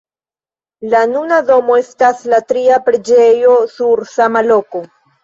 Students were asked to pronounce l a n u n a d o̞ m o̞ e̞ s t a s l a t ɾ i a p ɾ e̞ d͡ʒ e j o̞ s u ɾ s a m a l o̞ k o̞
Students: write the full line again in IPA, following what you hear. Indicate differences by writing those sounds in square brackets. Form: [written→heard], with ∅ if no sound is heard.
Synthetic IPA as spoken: l a n u n a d o̞ m o̞ e̞ s t a s l a t ɾ i a p ɾ e̞ d͡ʒ e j o̞ s u ɾ s a m a l o̞ k o̞